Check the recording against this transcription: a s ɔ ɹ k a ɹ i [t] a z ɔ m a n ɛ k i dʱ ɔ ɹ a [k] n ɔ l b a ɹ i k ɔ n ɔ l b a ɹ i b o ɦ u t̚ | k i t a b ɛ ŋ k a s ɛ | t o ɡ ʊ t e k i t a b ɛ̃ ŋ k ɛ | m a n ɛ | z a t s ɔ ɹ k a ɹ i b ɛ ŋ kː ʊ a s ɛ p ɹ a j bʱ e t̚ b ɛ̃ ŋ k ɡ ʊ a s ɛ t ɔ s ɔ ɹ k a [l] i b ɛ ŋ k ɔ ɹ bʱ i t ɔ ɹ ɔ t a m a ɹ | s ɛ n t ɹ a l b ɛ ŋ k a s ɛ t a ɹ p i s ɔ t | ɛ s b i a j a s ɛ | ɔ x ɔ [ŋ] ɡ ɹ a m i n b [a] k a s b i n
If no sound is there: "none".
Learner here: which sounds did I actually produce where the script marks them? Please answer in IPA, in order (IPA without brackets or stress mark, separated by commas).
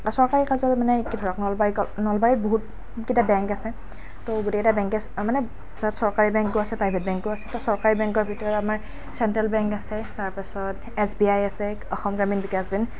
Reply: k, k, ɹ, m, i